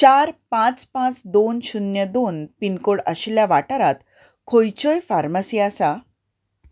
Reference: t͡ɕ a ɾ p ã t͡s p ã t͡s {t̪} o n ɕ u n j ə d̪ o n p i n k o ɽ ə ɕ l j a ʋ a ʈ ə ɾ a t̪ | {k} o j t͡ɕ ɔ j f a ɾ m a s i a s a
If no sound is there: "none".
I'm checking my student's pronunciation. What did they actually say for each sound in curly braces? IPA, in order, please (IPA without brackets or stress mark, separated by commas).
d̪, kʰ